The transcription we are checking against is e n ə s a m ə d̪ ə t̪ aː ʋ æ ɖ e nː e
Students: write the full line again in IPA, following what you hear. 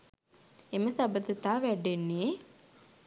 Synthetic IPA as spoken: e m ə s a b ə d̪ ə t̪ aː ʋ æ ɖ e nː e